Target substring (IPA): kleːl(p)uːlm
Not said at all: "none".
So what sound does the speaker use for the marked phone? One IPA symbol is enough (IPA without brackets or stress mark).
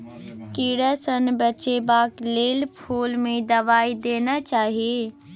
pʰ